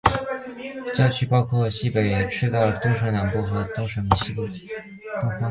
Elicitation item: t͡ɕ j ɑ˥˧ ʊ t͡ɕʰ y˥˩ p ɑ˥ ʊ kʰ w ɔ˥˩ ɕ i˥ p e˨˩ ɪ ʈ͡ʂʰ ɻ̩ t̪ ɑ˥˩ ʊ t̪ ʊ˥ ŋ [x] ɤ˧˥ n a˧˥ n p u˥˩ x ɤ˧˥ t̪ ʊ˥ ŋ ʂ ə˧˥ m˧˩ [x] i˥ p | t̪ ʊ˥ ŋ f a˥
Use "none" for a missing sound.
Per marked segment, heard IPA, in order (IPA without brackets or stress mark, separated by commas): ʂ, ɕ